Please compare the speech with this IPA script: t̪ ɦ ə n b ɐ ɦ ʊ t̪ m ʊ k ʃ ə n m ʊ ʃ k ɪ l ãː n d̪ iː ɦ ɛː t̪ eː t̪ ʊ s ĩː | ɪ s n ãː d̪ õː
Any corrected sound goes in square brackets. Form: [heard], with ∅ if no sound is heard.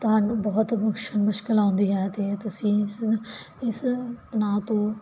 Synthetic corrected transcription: t̪ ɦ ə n b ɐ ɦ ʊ t̪ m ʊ k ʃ ə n m ʊ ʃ k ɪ l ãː n d̪ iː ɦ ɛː t̪ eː t̪ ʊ s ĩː | ɪ s n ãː [t̪] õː